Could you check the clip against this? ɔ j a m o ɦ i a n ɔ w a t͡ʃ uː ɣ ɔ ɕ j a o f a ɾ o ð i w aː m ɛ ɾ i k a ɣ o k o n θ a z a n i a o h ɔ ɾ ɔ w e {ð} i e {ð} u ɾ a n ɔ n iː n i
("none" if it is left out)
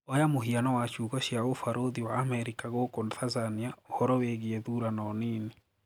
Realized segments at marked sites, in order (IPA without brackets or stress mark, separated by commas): ɣ, ð